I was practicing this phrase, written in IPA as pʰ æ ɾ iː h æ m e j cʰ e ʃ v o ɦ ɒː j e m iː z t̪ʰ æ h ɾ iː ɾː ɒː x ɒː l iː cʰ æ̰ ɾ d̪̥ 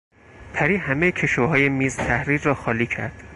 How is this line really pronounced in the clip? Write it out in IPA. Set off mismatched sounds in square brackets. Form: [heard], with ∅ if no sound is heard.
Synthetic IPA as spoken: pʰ æ ɾ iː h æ m e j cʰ e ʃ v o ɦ ɒː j e m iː z t̪ʰ æ h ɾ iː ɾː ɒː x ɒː l iː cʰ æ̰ ɾ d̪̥